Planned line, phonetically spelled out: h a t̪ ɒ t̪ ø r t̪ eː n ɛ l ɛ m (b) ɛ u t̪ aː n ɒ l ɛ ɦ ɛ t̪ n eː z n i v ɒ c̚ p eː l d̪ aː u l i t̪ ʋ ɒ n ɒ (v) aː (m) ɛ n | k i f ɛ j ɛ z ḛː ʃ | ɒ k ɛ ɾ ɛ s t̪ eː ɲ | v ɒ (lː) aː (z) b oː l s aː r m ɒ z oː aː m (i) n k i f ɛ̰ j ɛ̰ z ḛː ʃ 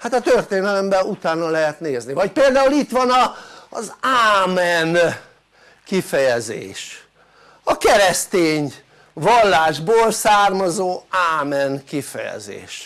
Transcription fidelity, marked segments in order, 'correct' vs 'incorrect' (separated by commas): correct, incorrect, correct, correct, incorrect, incorrect